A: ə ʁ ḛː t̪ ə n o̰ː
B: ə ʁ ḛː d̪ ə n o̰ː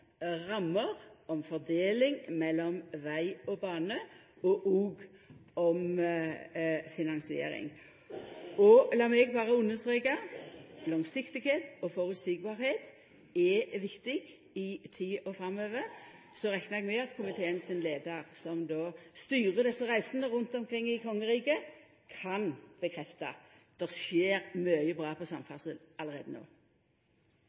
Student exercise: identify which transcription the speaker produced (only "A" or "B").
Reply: B